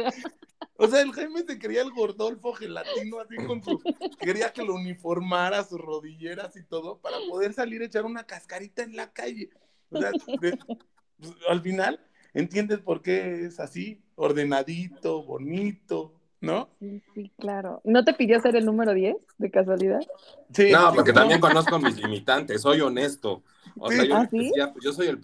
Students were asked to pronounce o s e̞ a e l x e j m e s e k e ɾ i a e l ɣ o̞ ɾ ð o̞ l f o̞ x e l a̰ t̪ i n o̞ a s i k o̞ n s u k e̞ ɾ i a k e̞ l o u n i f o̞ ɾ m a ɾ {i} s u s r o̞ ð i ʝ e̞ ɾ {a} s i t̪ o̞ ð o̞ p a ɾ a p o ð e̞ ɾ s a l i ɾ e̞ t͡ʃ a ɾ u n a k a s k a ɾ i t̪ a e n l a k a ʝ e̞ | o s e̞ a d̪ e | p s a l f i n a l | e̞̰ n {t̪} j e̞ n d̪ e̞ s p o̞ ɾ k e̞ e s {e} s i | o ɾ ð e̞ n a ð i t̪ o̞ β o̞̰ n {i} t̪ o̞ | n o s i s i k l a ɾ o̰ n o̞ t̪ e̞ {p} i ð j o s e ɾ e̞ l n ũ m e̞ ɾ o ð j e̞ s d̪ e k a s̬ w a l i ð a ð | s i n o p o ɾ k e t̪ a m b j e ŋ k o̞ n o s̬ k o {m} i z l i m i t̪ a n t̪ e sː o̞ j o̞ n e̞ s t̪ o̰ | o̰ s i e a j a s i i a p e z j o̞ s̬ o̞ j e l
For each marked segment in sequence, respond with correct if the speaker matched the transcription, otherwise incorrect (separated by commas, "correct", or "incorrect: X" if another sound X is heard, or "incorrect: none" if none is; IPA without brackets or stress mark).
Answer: incorrect: a, correct, correct, incorrect: a, correct, correct, correct